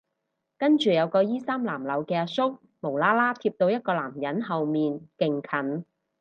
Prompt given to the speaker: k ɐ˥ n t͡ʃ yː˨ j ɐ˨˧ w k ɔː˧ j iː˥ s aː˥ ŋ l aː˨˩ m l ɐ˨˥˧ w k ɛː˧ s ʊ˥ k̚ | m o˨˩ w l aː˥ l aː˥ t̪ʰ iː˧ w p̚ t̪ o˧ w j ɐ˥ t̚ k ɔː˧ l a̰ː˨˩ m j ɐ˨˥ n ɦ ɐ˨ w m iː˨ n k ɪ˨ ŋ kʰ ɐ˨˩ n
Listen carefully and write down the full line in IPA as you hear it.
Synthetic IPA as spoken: k ɐ˥ n t͡ʃ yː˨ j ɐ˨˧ w k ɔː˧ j iː˥ s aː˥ m l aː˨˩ m l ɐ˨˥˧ w k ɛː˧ s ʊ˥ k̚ | m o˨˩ w l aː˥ l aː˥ t̪ʰ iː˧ p̚ t̪ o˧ w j ɐ˥ t̚ k ɔː˧ l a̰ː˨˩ m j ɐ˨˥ n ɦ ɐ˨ w m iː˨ n k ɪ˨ ŋ kʰ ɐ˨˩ n